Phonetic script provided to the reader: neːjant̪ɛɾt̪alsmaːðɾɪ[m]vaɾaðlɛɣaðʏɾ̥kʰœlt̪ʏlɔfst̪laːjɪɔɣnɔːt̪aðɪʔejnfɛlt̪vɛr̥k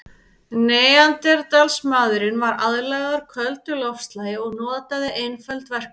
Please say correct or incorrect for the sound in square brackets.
incorrect